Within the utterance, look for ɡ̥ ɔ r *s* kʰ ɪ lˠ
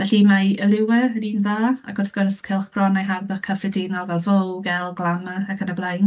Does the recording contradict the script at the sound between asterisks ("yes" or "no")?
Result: no